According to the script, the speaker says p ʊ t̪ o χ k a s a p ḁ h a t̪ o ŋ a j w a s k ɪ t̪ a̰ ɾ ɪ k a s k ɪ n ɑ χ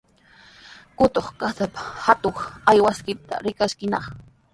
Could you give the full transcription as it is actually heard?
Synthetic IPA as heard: k ʊ t̪ o χ k a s a p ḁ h a t̪ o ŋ a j w a s k ɪ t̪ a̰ ɾ ɪ k a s k ɪ n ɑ χ